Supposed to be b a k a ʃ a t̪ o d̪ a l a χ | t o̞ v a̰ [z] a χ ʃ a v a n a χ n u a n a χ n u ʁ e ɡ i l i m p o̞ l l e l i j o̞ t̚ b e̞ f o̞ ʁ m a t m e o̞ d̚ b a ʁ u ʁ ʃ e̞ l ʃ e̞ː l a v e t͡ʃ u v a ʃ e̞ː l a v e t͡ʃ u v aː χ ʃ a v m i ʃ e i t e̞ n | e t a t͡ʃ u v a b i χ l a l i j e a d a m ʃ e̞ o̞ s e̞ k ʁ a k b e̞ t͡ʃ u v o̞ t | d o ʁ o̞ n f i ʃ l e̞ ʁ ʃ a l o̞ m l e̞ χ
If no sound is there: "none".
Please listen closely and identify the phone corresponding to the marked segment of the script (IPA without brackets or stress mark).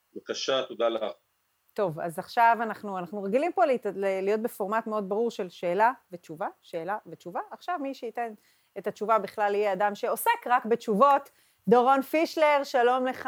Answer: z